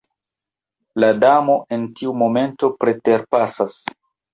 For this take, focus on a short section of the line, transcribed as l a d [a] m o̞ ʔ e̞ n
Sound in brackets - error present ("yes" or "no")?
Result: no